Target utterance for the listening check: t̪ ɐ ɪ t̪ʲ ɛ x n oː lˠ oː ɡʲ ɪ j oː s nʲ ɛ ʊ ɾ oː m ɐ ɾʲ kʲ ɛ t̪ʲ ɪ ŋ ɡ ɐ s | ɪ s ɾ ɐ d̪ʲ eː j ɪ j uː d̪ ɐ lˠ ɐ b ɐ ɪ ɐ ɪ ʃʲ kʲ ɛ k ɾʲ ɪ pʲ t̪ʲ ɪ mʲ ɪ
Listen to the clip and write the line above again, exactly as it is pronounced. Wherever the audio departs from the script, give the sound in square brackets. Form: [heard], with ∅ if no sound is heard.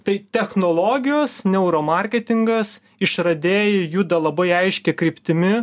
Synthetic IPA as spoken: t̪ ɐ ɪ t̪ʲ ɛ x n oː lˠ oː ɡʲ ɪ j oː s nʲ ɛ ʊ ɾ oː m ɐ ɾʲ kʲ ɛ t̪ʲ ɪ ŋ ɡ ɐ s | ɪ [ʃ] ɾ ɐ d̪ʲ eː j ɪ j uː d̪ ɐ lˠ ɐ b ɐ ɪ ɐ ɪ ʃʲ kʲ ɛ k ɾʲ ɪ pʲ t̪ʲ ɪ mʲ ɪ